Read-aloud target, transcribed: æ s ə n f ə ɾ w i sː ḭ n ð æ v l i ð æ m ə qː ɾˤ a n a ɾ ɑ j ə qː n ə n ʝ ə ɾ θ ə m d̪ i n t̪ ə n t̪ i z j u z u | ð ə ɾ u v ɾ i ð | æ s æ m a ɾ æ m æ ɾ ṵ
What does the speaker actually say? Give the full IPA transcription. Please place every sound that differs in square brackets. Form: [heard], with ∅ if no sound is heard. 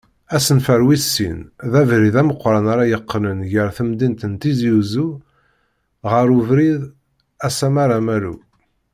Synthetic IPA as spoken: æ s ə n f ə ɾ w i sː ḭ n ð æ v [ɾ] i ð æ m ə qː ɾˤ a n a ɾ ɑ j ə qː n ə n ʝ ə ɾ θ ə m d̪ i n t̪ ə n t̪ i z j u z u | [ʁ] ə ɾ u v ɾ i ð | æ s æ m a ɾ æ m æ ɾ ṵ